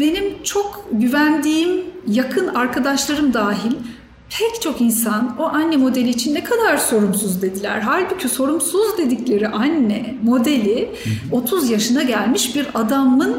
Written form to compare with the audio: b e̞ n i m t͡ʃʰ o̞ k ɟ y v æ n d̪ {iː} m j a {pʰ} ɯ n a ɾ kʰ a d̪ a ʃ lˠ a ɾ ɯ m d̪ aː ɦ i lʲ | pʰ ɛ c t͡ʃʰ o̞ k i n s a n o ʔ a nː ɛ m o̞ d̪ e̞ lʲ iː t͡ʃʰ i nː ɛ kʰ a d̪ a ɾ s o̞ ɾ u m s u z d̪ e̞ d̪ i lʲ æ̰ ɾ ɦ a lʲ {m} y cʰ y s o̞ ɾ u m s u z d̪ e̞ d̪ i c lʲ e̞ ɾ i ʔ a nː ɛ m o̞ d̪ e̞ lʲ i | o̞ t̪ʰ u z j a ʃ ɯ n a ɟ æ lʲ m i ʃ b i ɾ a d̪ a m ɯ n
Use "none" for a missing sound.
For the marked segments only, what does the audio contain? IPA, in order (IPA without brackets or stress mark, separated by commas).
iː, kʰ, b